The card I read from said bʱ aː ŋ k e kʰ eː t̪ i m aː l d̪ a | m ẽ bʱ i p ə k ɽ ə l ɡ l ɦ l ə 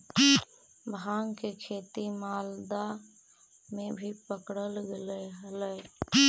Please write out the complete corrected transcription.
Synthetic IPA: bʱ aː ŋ k e kʰ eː t̪ i m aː l d̪ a | m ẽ bʱ i p ə k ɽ ə l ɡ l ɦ l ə